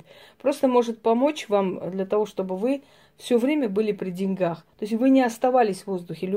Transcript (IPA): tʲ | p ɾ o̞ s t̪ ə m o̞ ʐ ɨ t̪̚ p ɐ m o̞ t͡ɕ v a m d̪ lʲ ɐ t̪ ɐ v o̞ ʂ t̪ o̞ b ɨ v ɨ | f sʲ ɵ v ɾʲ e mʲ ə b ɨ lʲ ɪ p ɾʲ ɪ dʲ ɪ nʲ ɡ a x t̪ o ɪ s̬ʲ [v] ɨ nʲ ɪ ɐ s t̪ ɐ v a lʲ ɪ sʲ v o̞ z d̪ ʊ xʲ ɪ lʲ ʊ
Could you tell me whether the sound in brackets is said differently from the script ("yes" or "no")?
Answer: no